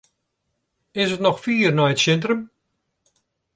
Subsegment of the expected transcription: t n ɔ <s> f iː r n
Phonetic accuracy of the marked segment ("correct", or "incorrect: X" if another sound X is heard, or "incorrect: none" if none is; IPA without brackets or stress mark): incorrect: x